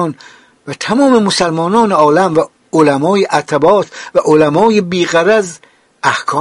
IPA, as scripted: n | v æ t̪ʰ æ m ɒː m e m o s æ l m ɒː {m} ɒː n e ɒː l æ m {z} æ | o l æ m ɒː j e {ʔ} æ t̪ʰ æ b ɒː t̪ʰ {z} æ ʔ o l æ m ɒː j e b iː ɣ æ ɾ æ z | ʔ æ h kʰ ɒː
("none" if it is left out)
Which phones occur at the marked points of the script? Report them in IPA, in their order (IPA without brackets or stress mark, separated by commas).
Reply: n, v, ʔ, v